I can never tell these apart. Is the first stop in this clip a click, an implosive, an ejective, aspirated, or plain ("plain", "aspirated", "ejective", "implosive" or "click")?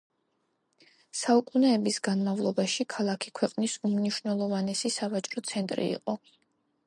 ejective